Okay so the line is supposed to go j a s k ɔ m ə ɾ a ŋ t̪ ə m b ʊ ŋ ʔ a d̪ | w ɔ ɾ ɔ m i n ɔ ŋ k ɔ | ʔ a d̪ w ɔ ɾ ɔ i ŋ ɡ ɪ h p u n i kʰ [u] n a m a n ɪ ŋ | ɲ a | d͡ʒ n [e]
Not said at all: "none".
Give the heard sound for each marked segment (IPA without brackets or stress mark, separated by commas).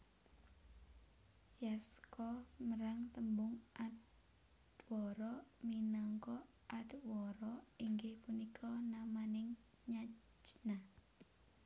ɔ, a